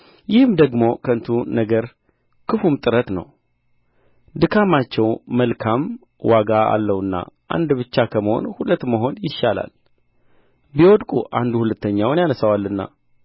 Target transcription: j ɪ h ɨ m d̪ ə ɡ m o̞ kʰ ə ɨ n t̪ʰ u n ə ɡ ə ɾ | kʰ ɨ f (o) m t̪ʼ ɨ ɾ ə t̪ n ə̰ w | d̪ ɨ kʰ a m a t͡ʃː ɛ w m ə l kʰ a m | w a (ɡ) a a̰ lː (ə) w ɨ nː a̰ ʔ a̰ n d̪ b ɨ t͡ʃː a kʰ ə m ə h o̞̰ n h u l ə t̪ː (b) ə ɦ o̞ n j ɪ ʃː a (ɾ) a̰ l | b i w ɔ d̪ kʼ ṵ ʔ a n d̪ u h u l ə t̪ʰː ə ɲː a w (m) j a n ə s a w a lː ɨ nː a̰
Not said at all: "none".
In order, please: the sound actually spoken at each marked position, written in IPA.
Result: u, ɡ, ə, m, l, n

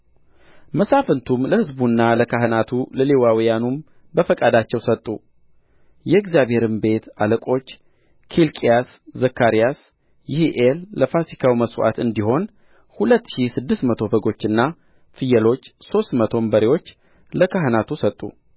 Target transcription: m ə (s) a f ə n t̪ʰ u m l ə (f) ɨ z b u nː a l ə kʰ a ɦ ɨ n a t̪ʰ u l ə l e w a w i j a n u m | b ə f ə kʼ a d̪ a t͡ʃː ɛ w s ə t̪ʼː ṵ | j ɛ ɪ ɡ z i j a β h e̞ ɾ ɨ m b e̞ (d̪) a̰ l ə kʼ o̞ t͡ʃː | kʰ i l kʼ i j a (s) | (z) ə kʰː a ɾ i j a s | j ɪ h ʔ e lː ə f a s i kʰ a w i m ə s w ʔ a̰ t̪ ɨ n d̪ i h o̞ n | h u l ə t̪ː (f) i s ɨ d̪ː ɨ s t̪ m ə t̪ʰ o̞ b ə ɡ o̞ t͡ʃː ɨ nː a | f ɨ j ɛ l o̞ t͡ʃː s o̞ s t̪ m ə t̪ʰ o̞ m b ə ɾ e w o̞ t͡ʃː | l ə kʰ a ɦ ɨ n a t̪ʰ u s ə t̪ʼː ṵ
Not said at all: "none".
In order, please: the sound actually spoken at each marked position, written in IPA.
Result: s, h, t̪, s, z, ʃ

